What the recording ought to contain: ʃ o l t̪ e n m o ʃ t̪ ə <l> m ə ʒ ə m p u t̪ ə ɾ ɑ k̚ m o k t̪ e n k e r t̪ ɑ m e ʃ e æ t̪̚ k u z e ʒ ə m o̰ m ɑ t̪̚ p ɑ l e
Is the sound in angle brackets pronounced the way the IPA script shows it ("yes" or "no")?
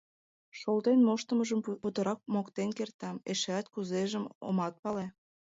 no